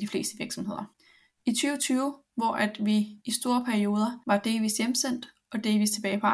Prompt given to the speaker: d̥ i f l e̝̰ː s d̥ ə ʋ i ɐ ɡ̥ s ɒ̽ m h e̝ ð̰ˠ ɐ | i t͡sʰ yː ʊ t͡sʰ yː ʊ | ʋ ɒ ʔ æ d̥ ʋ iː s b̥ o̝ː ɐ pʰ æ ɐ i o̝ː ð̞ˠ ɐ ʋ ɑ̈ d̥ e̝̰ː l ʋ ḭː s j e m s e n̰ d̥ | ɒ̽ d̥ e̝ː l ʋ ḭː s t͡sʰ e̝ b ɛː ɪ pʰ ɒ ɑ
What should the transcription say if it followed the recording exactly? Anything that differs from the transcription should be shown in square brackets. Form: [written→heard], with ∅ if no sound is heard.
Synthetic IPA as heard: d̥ i f l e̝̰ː s d̥ ə ʋ i ɐ ɡ̥ s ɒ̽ m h e̝ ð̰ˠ ɐ | i t͡sʰ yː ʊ t͡sʰ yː ʊ | ʋ ɒ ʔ æ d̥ ʋ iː s [b̥→d̥] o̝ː ɐ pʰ æ ɐ i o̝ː ð̞ˠ ɐ ʋ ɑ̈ d̥ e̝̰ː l ʋ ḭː s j e m s e n̰ d̥ | ɒ̽ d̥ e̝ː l ʋ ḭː s t͡sʰ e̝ b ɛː ɪ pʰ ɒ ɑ